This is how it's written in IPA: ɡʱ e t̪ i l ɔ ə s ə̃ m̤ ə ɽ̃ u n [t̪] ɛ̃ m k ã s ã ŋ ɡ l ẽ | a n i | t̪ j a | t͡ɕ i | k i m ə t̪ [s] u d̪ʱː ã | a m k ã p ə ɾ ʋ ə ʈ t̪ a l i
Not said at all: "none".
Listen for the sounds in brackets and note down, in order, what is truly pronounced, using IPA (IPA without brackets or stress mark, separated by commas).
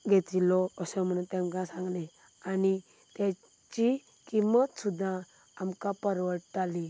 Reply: t̪, s